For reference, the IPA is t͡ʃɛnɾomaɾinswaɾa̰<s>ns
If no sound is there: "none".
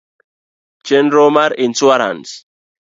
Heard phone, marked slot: none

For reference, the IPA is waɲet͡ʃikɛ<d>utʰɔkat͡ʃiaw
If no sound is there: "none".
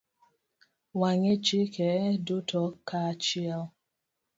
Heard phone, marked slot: d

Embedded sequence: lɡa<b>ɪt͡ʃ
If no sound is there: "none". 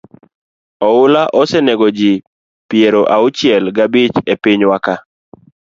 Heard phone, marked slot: b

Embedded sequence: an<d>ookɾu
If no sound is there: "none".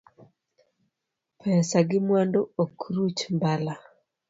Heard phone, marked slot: d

